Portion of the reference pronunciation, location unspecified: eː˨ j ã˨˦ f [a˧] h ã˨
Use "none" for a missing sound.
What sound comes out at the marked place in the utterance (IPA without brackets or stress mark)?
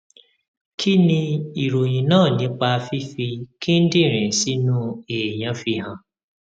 i˧